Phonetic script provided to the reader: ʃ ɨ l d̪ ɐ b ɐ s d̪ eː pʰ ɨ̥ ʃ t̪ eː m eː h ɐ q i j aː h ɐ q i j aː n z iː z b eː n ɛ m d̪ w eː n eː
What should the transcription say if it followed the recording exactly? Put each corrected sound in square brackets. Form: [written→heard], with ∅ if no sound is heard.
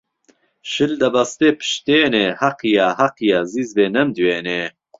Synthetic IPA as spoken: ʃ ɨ l d̪ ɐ b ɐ s [d̪→t̪] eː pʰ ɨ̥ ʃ t̪ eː [m→n] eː h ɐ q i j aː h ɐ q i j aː [n→∅] z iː z b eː n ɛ m d̪ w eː n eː

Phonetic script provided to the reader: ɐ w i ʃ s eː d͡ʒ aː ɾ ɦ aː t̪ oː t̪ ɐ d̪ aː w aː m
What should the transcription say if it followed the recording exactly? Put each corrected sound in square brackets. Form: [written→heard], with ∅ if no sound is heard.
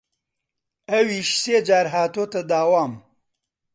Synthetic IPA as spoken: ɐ w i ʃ s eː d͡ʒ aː ɾ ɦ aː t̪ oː t̪ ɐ d̪ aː w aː m

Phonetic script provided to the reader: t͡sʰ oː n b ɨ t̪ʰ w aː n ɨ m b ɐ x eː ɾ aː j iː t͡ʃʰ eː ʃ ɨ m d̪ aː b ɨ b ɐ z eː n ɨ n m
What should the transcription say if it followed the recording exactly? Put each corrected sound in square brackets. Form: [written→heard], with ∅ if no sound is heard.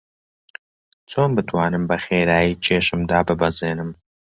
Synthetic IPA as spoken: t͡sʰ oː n b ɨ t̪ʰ w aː n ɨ m b ɐ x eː ɾ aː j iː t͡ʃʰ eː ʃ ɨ m d̪ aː b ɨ b ɐ z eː n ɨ [n→∅] m

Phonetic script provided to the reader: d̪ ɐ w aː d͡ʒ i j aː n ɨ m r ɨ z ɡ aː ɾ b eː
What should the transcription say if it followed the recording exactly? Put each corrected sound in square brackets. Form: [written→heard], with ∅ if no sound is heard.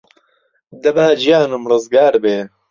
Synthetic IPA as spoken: d̪ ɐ [w→b] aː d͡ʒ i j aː n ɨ m r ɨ z ɡ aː ɾ b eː

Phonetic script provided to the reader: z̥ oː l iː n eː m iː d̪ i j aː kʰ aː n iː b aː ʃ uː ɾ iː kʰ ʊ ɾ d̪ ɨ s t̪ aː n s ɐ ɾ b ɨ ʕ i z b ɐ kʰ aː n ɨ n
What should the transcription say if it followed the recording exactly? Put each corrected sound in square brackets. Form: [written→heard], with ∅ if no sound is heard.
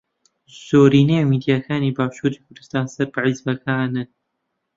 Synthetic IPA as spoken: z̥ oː [l→ɾ] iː n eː m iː d̪ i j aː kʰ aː n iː b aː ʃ uː ɾ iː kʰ ʊ ɾ d̪ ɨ s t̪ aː n s ɐ ɾ b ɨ ʕ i z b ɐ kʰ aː n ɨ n

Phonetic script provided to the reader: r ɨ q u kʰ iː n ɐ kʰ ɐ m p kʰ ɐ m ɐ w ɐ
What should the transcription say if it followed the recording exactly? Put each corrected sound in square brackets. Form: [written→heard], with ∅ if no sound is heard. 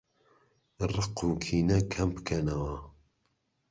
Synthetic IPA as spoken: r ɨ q u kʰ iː n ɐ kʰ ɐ m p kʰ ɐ [m→n] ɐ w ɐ

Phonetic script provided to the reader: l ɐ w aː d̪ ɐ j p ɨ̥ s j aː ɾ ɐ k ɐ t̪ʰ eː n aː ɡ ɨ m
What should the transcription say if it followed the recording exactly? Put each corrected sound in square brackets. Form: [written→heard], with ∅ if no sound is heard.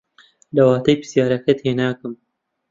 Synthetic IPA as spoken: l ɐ w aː [d̪→t̪] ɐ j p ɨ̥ s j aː ɾ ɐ k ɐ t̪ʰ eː n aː [ɡ→k] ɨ m

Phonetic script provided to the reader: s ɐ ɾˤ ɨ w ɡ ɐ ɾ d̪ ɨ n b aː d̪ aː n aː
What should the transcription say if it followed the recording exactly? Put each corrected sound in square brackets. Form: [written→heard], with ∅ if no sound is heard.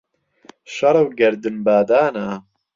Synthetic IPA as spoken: [s→ʃ] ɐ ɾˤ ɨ w ɡ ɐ ɾ d̪ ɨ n b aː d̪ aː n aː

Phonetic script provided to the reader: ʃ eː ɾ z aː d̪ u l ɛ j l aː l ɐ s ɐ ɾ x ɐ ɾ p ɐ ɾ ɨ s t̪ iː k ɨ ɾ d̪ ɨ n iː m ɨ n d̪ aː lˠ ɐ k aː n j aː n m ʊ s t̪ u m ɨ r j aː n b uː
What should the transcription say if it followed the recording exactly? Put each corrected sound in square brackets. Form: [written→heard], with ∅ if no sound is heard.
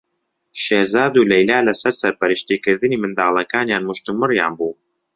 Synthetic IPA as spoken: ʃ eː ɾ z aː d̪ u l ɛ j l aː l ɐ s ɐ ɾ [x→s] ɐ ɾ p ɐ ɾ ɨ [s→ʃ] t̪ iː k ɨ ɾ d̪ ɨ n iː m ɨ n d̪ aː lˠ ɐ k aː n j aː n m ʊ [s→ʃ] t̪ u m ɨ r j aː n b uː

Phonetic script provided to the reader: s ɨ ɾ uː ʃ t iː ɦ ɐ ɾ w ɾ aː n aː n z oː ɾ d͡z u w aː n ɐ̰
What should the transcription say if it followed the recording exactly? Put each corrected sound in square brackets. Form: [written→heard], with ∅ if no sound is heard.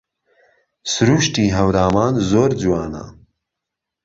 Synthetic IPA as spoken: s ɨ ɾ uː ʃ t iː ɦ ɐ [ɾ→∅] w ɾ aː [n→m] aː n z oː ɾ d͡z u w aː n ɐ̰

